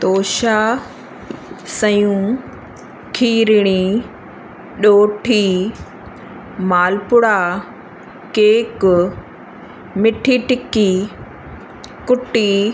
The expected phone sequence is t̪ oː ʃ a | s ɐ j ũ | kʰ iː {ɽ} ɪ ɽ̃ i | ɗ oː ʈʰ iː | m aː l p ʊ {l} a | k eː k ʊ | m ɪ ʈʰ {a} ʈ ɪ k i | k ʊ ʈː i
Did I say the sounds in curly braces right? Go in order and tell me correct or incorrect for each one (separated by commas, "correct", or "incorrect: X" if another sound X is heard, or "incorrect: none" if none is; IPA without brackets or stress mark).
incorrect: ɾ, incorrect: ɽ, incorrect: i